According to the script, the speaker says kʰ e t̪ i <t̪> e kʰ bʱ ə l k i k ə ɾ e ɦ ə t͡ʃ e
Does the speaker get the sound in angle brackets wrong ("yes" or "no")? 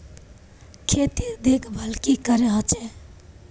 yes